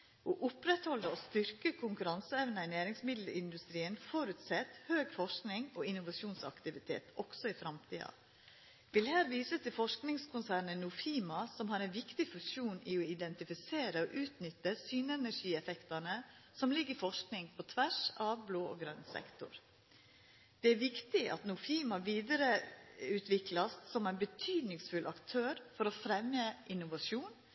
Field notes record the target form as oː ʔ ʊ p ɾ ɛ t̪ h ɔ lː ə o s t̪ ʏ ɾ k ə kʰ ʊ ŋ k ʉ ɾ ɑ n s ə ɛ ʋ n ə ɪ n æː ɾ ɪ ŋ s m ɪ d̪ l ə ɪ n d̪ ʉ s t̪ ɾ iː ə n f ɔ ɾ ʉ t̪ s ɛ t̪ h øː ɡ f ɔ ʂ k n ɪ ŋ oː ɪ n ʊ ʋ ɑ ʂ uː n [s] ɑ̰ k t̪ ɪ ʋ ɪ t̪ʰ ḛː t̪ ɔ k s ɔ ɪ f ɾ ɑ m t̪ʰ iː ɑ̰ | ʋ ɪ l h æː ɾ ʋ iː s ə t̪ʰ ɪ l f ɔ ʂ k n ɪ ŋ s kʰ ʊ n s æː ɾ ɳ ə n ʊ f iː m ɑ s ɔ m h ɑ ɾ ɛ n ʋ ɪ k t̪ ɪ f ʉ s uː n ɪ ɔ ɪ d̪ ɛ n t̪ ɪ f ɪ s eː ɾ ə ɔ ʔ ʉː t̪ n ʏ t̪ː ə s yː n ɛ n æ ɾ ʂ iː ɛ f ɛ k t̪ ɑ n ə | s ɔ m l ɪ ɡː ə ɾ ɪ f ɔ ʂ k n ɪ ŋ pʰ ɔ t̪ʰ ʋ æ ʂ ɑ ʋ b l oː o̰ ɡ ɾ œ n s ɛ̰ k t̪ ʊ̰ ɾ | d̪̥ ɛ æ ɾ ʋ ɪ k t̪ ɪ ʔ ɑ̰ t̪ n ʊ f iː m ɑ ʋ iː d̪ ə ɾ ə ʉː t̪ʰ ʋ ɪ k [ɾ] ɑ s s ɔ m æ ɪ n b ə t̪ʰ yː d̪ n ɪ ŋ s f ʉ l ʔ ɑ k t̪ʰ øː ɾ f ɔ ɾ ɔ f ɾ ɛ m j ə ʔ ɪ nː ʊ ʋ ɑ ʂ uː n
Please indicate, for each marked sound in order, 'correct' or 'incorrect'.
correct, incorrect: l

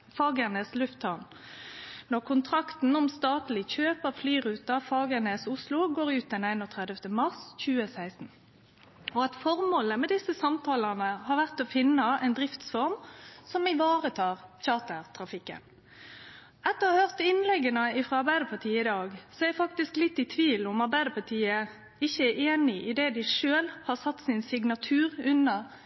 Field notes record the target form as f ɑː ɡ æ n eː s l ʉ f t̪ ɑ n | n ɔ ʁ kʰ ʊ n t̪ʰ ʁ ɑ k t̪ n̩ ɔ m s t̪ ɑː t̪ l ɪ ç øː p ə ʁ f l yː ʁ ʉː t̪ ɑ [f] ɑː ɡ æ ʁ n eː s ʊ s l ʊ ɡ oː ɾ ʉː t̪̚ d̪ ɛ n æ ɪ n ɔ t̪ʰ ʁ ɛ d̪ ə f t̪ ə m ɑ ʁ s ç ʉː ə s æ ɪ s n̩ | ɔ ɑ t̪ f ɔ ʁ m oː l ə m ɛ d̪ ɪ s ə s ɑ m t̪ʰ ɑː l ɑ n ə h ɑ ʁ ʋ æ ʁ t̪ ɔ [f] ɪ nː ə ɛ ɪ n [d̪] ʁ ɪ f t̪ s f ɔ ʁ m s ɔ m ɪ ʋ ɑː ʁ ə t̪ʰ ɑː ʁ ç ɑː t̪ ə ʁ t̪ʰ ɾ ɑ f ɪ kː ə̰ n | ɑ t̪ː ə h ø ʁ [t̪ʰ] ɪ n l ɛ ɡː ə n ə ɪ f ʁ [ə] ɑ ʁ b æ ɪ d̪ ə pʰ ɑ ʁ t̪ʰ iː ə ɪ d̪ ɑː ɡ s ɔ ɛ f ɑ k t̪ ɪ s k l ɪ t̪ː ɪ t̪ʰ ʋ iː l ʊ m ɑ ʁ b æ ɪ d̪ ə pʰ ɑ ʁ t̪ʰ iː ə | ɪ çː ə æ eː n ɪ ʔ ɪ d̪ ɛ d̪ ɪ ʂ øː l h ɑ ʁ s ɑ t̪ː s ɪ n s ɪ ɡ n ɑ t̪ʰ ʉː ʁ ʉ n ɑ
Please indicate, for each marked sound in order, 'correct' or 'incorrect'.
correct, correct, correct, incorrect: t̪, incorrect: ɑ

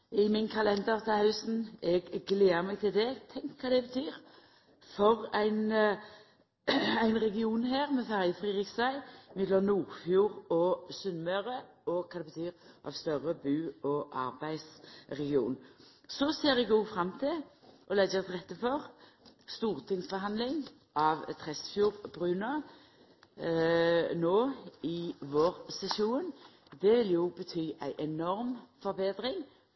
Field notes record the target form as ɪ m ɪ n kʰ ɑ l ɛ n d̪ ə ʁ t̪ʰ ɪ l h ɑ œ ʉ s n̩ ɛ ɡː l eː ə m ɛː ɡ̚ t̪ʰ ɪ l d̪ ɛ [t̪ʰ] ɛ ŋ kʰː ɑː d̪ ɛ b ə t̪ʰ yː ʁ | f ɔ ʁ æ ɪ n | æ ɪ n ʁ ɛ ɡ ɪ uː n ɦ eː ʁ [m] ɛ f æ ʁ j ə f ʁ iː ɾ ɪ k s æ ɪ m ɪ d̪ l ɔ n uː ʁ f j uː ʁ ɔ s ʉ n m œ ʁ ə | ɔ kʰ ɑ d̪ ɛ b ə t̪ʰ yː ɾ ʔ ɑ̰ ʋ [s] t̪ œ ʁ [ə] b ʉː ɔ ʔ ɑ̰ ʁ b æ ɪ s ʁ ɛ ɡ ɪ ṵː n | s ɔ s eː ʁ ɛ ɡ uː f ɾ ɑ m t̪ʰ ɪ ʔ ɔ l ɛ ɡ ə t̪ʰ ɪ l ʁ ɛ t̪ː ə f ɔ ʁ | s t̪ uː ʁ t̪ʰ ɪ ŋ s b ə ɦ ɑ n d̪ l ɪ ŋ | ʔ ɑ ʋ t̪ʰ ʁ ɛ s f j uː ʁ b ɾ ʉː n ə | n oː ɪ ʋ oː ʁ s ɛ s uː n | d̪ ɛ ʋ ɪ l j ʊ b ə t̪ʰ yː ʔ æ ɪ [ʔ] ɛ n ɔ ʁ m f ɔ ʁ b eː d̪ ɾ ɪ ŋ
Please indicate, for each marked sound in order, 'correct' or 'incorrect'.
correct, correct, correct, correct, correct

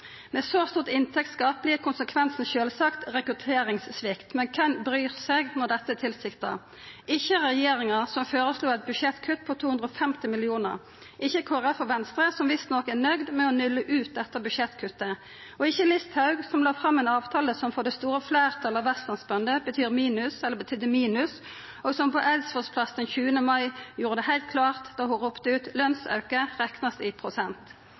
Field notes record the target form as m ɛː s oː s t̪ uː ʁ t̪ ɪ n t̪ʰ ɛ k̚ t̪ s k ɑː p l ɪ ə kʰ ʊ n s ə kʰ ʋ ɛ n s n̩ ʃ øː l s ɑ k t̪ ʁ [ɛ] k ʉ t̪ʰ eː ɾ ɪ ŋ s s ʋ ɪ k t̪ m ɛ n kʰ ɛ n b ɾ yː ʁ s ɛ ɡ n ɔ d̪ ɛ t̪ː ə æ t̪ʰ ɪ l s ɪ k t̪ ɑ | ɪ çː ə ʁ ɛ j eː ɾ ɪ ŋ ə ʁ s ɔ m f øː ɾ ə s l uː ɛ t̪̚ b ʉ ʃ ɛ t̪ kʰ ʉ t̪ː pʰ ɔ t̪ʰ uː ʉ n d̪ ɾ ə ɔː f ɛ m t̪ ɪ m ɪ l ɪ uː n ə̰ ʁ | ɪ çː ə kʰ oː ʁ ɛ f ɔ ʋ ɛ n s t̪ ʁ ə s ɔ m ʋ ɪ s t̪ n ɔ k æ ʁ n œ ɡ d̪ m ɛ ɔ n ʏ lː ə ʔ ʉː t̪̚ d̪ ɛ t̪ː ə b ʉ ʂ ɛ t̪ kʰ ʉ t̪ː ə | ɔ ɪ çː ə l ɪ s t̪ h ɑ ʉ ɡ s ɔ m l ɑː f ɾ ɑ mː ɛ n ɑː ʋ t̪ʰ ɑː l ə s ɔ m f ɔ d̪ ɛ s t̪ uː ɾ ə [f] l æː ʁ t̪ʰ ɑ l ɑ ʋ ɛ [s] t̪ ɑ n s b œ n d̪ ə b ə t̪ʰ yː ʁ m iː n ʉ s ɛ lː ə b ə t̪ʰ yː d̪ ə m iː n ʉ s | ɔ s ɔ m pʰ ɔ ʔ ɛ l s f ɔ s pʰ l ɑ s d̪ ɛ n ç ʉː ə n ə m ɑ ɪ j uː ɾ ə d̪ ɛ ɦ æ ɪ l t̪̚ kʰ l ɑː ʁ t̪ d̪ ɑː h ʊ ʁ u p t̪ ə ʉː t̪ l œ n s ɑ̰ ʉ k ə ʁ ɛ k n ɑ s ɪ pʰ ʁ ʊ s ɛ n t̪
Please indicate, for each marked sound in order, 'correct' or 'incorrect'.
correct, correct, correct

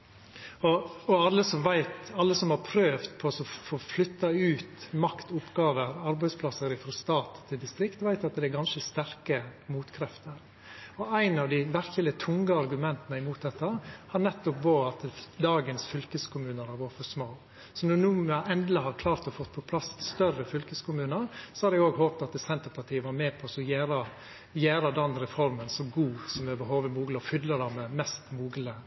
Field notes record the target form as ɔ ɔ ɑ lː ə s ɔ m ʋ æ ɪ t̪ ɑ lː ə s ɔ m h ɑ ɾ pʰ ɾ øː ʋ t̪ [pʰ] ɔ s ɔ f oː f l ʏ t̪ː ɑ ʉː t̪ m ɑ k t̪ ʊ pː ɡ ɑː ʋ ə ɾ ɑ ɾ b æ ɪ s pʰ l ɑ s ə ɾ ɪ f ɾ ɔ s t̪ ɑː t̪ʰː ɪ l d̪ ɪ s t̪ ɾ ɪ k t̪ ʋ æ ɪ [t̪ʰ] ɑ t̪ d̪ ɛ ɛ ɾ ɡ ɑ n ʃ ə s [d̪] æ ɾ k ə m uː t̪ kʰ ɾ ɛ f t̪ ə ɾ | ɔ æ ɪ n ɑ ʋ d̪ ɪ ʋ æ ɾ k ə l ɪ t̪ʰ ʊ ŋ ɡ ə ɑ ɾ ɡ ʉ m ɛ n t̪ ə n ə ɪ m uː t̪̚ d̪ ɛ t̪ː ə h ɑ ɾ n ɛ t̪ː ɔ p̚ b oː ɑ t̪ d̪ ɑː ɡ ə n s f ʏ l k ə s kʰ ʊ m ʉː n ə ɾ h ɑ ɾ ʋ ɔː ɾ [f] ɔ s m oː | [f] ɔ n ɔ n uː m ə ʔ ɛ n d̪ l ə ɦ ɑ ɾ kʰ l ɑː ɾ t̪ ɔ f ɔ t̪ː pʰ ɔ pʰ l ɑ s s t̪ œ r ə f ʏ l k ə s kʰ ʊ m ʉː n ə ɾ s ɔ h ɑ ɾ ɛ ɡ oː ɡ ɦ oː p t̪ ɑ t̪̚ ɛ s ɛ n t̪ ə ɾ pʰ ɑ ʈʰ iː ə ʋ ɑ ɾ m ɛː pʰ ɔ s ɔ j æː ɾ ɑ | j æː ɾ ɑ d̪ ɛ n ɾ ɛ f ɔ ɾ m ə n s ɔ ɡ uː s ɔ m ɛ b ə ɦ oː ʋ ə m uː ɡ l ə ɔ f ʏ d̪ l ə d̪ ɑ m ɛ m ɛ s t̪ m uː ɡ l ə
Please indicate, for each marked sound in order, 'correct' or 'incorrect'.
correct, incorrect: t̪, incorrect: t̪, correct, incorrect: s

